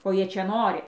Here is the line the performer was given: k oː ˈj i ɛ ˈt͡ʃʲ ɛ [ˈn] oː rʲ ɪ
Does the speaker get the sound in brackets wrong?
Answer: no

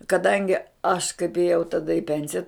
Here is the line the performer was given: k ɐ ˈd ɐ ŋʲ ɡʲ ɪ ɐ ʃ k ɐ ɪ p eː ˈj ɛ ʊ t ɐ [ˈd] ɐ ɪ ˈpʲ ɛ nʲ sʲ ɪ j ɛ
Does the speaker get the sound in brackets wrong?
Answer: no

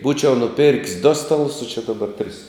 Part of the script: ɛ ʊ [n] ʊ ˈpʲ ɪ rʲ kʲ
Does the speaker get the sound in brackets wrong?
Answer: no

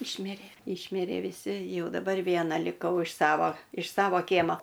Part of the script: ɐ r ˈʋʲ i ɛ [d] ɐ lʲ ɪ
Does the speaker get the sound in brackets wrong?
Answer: yes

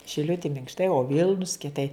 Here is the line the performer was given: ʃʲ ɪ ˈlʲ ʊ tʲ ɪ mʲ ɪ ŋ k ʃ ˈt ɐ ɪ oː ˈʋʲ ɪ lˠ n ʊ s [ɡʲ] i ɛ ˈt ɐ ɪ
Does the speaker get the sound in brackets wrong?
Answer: yes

